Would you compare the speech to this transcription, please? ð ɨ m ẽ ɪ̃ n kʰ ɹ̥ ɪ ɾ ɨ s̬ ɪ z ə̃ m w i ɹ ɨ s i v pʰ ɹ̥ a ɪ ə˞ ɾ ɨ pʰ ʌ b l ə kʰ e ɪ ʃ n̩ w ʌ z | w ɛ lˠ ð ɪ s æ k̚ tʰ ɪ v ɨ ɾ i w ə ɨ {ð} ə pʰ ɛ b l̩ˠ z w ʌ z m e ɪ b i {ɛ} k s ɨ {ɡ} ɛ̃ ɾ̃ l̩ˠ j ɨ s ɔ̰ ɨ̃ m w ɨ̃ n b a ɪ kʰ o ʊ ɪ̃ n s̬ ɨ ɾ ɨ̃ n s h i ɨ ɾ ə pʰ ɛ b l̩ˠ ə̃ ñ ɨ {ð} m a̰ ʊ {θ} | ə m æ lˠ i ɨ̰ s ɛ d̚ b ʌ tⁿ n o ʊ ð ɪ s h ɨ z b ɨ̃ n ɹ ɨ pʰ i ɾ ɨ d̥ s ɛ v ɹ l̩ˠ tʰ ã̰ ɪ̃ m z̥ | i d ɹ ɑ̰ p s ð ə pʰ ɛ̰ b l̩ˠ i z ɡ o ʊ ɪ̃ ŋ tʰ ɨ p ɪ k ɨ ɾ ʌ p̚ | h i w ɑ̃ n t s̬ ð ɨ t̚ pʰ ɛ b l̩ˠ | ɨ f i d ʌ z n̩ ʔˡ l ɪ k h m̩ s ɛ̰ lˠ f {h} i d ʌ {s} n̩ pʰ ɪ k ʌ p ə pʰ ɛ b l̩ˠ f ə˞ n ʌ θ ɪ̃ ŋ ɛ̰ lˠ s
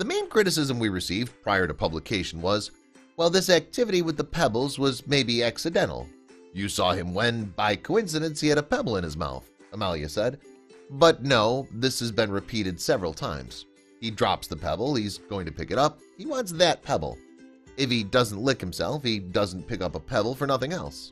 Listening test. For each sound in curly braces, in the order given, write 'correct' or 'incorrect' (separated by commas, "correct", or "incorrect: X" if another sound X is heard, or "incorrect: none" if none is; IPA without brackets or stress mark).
correct, incorrect: æ, incorrect: d, incorrect: z, correct, correct, incorrect: z